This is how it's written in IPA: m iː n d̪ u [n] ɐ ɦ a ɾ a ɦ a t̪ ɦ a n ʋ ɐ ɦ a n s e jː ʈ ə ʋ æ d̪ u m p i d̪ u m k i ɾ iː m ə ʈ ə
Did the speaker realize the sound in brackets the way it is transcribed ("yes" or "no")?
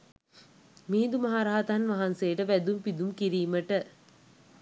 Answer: no